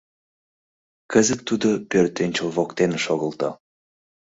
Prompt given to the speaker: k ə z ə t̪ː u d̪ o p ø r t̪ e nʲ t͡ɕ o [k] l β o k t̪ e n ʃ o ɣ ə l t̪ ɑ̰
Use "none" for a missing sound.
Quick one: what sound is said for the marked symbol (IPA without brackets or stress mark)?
none